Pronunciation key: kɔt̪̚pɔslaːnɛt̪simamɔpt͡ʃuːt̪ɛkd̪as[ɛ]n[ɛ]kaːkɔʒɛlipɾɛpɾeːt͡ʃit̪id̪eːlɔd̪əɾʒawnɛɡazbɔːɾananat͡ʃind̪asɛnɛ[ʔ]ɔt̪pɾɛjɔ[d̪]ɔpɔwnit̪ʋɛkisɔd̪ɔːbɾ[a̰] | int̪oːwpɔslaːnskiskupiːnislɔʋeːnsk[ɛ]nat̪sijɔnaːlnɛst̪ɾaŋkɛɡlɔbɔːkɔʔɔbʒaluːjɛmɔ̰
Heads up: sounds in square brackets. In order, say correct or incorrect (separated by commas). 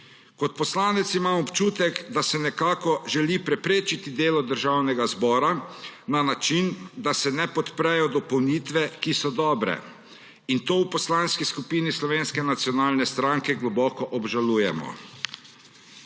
correct, correct, incorrect, correct, incorrect, correct